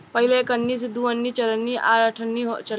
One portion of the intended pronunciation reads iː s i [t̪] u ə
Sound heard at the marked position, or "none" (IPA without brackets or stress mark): d̪